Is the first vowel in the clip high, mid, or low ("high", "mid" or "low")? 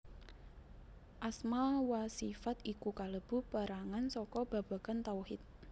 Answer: low